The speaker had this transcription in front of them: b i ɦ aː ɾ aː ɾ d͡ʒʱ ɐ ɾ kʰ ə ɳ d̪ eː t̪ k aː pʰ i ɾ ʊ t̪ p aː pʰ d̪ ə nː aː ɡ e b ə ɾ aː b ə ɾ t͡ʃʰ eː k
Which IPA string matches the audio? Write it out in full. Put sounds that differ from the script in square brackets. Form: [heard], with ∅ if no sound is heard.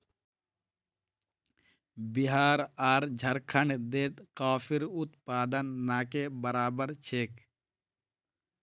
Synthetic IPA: b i ɦ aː ɾ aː ɾ d͡ʒʱ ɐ ɾ kʰ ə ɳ d̪ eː t̪ k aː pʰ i ɾ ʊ t̪ p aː [∅] d̪ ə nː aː [k] e b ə ɾ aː b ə ɾ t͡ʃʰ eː k